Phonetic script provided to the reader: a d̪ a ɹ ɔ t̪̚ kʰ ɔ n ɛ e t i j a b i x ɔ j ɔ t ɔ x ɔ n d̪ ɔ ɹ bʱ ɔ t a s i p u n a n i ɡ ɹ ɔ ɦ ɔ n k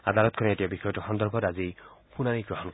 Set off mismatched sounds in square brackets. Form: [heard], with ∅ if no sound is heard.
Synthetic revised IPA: a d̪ a [l] ɔ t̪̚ kʰ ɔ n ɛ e t i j a b i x ɔ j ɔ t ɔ x ɔ n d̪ ɔ ɹ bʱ ɔ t a [z] i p u n a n i ɡ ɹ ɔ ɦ ɔ n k